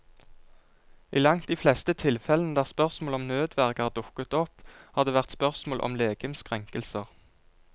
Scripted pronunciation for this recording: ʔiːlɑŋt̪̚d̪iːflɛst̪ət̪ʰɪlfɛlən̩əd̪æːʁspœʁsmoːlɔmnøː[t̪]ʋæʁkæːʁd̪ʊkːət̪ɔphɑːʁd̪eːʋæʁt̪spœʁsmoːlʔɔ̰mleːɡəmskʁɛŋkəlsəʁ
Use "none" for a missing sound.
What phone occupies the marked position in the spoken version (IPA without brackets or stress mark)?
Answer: d̪